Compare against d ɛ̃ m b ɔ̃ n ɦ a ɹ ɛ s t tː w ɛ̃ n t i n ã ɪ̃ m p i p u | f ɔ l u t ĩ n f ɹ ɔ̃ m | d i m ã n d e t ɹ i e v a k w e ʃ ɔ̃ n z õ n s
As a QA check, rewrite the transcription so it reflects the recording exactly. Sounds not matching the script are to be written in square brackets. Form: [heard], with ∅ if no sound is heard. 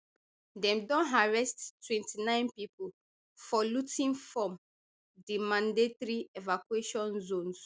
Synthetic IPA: d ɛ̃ m [d] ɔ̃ n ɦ a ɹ ɛ s t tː w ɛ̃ n t i n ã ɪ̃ [n] p i p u | f ɔ l u t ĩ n f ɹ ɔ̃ m | d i m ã n d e t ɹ i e v a k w e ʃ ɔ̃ n z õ n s